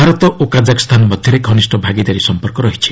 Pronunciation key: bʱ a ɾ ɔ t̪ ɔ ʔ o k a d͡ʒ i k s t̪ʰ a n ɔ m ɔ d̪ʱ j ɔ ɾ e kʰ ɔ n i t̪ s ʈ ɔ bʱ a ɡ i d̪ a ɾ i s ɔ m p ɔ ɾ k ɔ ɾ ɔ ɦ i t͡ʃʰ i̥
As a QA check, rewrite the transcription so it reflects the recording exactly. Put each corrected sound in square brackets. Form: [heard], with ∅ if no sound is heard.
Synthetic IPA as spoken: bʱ a ɾ ɔ t̪ ɔ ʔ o k a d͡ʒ [a] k s t̪ʰ a n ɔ m ɔ d̪ʱ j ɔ ɾ e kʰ ɔ n i [∅] s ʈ ɔ bʱ a ɡ i d̪ a ɾ i s ɔ m p ɔ ɾ k ɔ ɾ ɔ ɦ i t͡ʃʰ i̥